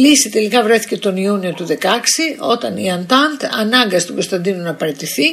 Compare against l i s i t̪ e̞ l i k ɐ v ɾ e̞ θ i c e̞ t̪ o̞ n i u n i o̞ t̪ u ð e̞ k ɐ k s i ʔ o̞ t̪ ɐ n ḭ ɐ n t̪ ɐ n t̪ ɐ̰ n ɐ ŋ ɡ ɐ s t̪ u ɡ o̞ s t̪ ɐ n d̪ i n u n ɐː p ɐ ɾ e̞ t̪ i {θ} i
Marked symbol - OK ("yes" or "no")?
yes